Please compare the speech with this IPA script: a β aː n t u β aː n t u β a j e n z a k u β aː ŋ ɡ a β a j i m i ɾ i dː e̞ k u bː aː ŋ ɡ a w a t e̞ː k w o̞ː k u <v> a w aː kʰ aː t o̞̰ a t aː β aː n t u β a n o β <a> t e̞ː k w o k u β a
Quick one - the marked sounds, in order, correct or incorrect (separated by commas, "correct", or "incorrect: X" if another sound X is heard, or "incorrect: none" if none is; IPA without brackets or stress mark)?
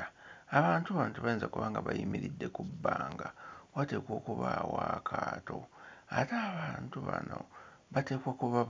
incorrect: β, correct